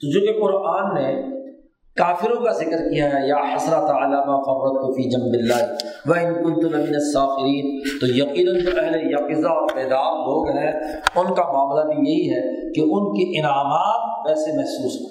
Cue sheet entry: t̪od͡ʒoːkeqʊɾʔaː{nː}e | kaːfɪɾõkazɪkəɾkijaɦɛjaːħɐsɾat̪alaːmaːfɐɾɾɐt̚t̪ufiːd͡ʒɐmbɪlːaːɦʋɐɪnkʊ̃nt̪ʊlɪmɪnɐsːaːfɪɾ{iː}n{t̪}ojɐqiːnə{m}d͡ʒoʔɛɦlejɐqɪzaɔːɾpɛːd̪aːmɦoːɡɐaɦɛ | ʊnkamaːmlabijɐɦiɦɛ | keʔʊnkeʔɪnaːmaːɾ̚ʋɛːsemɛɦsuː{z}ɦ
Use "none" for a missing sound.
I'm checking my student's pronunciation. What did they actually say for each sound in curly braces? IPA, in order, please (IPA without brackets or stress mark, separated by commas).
nː, iː, t̪, n, s